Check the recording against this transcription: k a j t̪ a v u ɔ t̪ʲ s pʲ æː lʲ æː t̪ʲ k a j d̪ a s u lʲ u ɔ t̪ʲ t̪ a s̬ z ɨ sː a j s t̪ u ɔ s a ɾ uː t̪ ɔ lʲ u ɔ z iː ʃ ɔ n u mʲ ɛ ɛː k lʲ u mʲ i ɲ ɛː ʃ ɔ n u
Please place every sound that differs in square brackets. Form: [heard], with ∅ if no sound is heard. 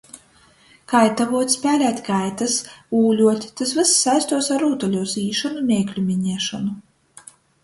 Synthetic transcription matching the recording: k a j t̪ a v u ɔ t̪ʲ s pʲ æː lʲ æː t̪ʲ k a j [t̪] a s [uː] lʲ u ɔ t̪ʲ t̪ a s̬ [v] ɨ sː a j s t̪ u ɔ s a ɾ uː t̪ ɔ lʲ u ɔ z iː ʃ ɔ n u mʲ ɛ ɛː k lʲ u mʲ i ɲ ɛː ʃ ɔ n u